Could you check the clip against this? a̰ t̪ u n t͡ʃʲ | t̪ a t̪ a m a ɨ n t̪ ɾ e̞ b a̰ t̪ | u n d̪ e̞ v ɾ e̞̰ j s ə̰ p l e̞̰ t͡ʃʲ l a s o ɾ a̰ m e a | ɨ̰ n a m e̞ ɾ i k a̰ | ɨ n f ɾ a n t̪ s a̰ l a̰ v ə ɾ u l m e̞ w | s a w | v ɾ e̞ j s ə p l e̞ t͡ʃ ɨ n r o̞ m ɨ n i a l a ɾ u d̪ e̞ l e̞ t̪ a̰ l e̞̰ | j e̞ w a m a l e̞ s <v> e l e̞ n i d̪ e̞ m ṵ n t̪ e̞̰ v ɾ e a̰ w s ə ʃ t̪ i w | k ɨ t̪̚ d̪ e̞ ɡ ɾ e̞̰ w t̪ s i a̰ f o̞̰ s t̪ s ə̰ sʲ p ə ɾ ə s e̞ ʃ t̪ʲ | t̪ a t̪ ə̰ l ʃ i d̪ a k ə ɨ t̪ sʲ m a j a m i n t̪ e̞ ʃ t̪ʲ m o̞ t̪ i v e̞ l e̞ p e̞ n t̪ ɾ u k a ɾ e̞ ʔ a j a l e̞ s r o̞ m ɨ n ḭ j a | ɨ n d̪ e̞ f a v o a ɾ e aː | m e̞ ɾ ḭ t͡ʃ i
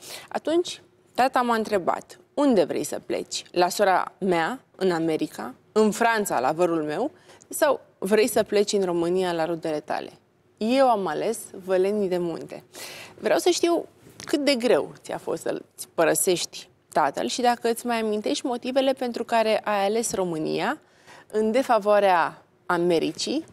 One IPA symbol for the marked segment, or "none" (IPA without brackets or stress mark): v